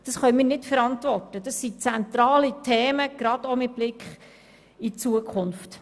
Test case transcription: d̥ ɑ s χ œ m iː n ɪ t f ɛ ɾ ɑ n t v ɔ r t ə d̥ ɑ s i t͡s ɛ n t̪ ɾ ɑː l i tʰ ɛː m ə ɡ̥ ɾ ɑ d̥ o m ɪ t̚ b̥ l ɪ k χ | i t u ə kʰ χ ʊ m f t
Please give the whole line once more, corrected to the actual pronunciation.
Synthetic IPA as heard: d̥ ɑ s χ œ m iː n ɪ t f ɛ ɾ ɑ n t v ɔ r t ə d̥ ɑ s i t͡s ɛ n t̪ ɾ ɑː l i tʰ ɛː m ə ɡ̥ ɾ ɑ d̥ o m ɪ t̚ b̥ l ɪ k χ | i t͡s u ə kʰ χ ʊ n f t